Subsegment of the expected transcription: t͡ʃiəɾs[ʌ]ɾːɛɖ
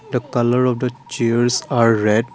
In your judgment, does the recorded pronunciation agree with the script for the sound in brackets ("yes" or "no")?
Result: no